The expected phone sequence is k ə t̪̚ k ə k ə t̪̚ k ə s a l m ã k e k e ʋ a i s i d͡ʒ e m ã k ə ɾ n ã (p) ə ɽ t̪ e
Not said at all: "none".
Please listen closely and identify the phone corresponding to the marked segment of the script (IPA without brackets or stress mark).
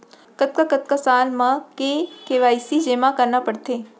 p